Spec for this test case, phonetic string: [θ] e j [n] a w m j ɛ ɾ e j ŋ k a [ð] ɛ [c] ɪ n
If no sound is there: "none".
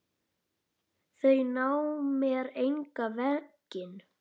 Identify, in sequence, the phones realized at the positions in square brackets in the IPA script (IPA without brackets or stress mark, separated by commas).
θ, n, v, c